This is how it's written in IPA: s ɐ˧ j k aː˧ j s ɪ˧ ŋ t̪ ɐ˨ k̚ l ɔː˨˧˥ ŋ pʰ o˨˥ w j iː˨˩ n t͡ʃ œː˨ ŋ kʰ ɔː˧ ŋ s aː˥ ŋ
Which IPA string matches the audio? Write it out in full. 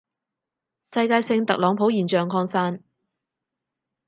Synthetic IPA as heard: s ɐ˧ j k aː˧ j s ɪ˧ ŋ t̪ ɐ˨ k̚ l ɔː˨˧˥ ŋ pʰ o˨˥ w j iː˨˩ n t͡ʃ œː˨ ŋ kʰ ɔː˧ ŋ s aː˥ n